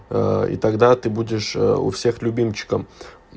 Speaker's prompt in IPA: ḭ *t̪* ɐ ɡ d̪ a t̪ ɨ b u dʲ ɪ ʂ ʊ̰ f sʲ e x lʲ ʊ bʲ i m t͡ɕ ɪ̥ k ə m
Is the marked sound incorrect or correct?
correct